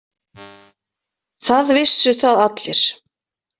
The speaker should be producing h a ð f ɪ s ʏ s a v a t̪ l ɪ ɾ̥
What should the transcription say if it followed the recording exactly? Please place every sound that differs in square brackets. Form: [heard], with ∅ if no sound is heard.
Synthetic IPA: [θ] a ð [v] ɪ s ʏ [θ] a [ð] a t̪ l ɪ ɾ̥